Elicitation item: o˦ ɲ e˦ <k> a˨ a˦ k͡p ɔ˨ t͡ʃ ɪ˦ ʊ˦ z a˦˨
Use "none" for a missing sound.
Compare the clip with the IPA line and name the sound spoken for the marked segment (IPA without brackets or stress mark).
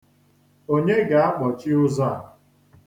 ɡ